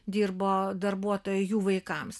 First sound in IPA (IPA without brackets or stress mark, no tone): d̪ʲ